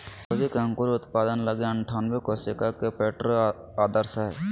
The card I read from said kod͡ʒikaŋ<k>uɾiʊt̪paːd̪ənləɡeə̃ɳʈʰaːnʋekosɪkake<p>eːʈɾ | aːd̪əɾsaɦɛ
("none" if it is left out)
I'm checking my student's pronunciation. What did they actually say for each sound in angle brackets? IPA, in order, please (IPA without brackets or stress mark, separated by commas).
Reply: k, p